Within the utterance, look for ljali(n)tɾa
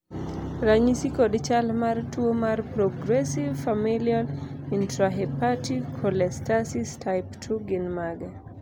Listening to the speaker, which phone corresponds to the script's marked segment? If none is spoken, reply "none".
n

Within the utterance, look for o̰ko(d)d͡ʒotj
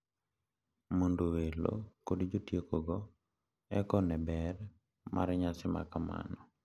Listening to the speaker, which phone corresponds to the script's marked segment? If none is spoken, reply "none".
d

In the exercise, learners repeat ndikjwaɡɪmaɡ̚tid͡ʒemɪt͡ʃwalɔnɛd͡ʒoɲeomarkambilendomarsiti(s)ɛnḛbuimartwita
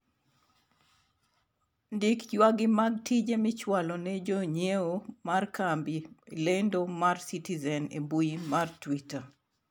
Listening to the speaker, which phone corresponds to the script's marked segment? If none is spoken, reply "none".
z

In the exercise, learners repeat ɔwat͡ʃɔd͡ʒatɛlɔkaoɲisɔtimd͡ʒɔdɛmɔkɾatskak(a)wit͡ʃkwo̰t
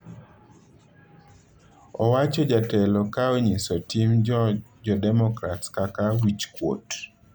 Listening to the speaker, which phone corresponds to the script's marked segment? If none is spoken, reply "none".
a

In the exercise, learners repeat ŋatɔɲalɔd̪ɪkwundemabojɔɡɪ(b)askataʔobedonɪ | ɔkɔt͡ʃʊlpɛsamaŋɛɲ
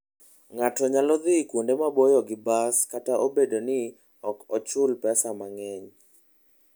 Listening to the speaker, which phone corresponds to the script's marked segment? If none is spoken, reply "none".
b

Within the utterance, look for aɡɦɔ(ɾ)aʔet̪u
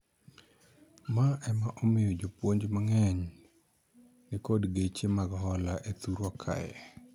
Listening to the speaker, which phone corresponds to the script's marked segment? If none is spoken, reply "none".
l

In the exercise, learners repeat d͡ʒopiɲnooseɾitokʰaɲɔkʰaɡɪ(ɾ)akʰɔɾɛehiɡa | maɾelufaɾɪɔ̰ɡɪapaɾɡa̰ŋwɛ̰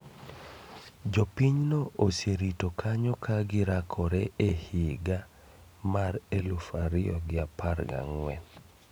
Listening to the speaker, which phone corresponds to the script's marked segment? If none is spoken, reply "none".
ɾ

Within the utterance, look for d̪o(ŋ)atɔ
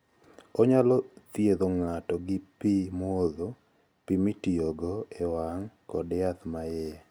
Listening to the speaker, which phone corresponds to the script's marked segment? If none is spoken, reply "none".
ŋ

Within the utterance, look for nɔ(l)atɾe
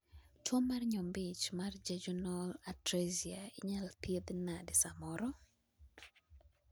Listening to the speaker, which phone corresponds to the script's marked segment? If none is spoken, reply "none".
l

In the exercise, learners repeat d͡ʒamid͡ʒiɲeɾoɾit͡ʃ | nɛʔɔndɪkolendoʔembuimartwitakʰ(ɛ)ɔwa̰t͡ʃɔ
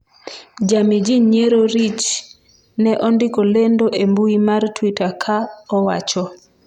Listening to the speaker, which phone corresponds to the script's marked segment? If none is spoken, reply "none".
a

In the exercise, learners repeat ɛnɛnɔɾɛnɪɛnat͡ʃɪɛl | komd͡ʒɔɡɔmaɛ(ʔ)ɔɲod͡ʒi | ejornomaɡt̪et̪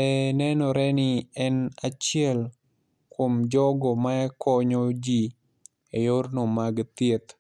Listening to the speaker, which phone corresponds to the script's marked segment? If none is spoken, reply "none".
k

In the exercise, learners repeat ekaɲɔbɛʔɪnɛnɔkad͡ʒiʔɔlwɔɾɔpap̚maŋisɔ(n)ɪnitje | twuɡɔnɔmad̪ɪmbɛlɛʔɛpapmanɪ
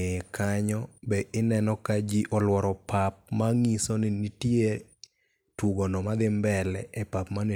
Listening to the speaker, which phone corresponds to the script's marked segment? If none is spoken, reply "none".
n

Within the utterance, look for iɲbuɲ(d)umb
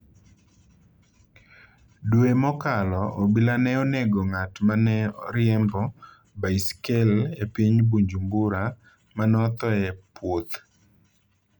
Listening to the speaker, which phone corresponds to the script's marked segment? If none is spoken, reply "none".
d͡ʒ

